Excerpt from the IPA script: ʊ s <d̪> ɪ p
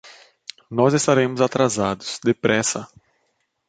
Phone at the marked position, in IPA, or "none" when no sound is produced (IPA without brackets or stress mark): d̪